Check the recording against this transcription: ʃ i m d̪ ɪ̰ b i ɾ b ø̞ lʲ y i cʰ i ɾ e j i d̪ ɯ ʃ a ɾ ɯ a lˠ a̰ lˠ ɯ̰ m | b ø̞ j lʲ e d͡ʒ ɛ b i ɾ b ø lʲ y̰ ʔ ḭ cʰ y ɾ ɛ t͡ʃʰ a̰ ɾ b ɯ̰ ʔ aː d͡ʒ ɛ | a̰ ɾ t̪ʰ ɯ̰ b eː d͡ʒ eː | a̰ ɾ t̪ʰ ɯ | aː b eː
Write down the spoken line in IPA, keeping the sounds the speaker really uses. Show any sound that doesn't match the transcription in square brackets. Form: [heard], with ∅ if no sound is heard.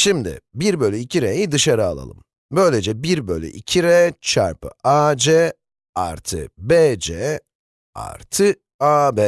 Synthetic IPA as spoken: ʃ i m d̪ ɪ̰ b i ɾ b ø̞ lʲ y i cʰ i ɾ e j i d̪ ɯ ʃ a ɾ ɯ a lˠ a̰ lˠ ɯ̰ m | b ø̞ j lʲ e d͡ʒ ɛ b i ɾ b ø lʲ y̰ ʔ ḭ cʰ [i] ɾ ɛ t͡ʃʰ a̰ ɾ [p] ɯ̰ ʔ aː d͡ʒ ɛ | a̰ ɾ t̪ʰ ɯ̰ b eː d͡ʒ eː | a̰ ɾ t̪ʰ ɯ | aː b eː